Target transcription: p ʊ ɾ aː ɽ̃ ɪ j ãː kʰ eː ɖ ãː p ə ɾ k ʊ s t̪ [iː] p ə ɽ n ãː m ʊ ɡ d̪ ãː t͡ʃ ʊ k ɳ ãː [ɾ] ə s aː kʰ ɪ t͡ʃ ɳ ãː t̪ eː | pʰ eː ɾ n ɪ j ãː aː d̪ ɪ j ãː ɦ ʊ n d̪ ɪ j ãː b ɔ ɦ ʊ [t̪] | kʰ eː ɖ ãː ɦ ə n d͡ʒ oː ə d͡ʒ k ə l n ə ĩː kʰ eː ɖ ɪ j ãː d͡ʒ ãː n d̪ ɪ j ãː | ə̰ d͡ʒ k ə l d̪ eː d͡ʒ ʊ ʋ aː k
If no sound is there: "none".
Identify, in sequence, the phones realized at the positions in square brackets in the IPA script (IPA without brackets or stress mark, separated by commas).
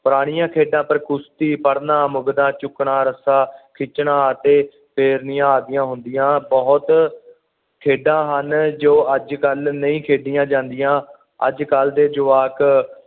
iː, ɾ, t̪